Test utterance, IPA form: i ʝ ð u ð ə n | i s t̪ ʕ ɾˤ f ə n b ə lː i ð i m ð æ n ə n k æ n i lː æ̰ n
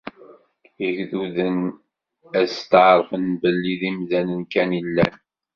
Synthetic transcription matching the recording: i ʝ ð u ð ə n | æ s t̪ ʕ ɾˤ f ə n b ə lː i ð i m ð æ n ə n k æ n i lː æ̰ n